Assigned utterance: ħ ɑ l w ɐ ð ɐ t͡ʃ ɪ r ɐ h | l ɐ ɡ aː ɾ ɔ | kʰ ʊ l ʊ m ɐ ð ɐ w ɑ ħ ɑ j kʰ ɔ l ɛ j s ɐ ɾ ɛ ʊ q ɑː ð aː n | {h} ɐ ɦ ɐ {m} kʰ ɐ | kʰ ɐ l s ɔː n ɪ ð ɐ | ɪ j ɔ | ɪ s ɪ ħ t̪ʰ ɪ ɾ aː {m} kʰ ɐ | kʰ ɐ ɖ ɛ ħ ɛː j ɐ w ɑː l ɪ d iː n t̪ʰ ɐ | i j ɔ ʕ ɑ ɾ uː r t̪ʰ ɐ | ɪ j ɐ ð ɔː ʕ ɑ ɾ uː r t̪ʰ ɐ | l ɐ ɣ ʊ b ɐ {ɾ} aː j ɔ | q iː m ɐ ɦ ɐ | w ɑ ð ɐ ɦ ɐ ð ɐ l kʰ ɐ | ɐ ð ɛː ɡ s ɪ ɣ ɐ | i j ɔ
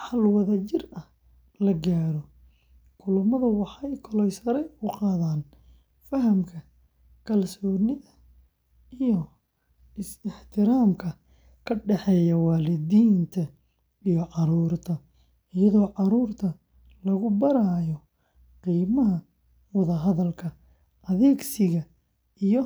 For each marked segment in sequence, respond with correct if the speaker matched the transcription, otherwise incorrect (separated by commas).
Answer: incorrect, correct, correct, correct